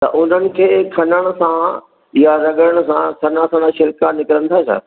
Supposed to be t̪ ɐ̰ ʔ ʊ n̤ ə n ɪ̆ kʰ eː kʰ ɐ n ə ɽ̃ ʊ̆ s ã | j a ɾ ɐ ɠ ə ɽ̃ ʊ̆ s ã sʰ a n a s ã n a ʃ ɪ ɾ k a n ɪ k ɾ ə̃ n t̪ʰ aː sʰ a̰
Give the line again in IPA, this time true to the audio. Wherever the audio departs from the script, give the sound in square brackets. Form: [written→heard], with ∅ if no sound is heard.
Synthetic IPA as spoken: t̪ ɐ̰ ʔ ʊ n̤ ə n ɪ̆ kʰ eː kʰ ɐ n ə ɽ̃ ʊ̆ s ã | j a ɾ ɐ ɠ ə ɽ̃ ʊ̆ s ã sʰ [a→ɐ] n a s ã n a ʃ ɪ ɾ k a n ɪ k ɾ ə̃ n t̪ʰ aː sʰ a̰